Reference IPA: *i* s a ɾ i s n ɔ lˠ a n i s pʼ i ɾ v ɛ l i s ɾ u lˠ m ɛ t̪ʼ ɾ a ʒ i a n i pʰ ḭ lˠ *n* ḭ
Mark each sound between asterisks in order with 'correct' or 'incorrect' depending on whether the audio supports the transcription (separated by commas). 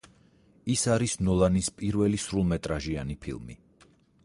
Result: correct, incorrect